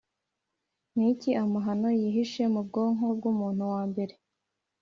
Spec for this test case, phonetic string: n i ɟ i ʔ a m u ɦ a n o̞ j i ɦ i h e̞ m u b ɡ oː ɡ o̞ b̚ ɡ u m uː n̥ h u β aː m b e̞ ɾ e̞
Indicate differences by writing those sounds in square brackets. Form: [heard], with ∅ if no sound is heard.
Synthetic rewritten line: n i [c] i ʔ a m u ɦ a n o̞ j i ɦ i [ʃ] e̞ m u b ɡ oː [ŋ] o̞ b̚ ɡ u m uː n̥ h u [w] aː m b e̞ ɾ e̞